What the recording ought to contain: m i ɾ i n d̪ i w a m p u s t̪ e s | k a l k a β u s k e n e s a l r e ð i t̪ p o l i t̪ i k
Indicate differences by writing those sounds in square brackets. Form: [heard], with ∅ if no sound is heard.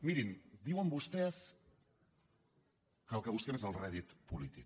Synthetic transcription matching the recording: m i ɾ i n d̪ i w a m [b] u s t̪ e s | k a l k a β u s k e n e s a l r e ð i t̪ p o l i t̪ i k